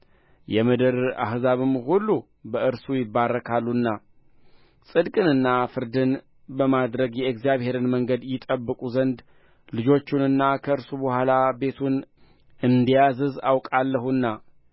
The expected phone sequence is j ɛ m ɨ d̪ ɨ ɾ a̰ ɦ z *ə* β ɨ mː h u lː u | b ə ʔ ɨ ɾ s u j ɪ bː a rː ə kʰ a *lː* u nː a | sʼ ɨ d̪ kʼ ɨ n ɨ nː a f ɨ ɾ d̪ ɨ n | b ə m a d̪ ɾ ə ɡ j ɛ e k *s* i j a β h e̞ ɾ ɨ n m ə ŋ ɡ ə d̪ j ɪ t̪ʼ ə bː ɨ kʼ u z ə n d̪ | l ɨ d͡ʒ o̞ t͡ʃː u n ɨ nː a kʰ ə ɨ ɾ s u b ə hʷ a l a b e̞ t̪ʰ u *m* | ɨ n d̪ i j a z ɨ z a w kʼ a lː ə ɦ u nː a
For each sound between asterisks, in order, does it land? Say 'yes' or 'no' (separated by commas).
no, yes, no, no